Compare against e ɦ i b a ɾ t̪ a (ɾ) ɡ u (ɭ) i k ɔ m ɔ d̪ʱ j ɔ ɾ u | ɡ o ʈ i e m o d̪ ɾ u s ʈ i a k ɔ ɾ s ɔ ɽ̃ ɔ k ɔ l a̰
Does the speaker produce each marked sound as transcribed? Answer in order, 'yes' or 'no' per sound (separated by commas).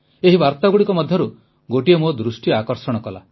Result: no, no